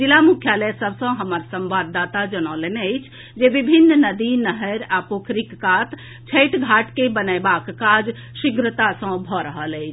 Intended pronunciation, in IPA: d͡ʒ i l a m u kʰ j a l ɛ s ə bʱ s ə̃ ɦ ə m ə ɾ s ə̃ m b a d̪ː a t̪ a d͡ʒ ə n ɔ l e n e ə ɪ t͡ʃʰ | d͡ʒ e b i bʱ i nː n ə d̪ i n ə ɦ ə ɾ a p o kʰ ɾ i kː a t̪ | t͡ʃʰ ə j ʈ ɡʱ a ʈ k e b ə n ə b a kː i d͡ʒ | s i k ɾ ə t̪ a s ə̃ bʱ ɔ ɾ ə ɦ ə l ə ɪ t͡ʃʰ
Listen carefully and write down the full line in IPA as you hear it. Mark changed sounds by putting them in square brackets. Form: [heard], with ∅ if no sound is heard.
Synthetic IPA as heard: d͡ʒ i l a m u kʰ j a l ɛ s ə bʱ s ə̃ ɦ ə m ə ɾ s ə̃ m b a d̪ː a t̪ a d͡ʒ ə n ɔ l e n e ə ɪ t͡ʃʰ | d͡ʒ e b i bʱ i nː n ə d̪ i n ə ɦ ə ɾ a p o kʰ ɾ i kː a t̪ | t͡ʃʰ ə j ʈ ɡʱ a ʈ k e b ə n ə b a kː [a] d͡ʒ | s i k ɾ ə t̪ a s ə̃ bʱ ɔ ɾ ə ɦ ə l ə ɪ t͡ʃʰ